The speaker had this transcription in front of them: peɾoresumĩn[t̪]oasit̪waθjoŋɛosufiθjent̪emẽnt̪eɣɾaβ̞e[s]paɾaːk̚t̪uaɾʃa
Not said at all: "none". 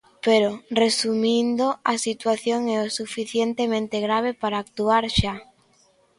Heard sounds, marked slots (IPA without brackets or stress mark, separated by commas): d̪, none